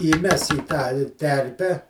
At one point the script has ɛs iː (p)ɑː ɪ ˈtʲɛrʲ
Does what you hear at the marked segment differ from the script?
yes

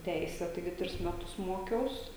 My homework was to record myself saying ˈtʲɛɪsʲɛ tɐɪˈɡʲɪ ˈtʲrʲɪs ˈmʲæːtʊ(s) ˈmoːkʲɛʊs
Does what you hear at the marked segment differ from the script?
no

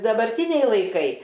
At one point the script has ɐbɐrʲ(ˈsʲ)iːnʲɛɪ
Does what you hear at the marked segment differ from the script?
yes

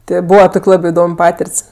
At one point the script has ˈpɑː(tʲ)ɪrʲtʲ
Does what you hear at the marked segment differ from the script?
no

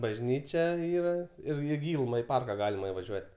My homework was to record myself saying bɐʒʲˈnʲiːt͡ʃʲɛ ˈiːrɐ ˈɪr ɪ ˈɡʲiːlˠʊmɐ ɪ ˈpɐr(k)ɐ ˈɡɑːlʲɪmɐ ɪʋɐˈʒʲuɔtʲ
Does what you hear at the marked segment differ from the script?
no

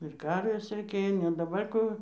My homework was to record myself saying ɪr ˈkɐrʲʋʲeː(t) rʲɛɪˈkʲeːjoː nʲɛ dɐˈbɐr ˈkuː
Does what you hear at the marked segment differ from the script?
yes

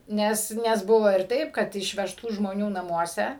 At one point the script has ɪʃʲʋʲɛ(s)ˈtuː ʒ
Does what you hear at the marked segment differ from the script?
yes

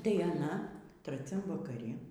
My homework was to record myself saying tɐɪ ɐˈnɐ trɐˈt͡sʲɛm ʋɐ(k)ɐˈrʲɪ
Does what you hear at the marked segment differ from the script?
no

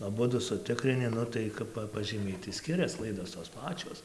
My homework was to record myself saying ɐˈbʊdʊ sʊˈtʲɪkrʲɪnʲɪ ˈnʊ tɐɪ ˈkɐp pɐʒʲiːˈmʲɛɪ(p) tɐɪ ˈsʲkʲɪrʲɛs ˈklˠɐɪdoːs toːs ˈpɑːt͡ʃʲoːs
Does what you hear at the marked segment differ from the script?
yes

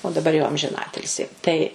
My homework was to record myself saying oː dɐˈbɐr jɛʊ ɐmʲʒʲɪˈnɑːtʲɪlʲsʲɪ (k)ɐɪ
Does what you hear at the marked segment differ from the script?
yes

